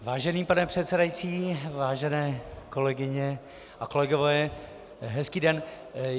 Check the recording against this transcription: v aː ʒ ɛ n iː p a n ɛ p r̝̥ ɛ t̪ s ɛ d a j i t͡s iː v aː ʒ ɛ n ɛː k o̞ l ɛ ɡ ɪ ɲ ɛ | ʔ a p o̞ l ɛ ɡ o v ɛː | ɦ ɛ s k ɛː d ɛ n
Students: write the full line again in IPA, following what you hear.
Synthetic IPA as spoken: v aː ʒ ɛ n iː p a n ɛ p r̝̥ ɛ t̪ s ɛ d a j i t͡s iː v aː ʒ ɛ n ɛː k o̞ l ɛ ɡ ɪ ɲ ɛ | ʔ a k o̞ l ɛ ɡ o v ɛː | ɦ ɛ s k iː d ɛ n